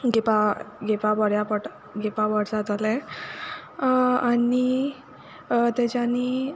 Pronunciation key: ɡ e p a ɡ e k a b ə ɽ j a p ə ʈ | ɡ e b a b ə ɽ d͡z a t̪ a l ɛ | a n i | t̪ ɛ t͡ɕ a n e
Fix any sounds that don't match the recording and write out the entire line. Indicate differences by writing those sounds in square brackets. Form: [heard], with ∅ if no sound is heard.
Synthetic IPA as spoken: ɡ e p a ɡ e [p] a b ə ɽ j a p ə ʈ | ɡ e [p] a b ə ɽ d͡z a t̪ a l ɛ | a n i | t̪ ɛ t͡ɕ a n [i]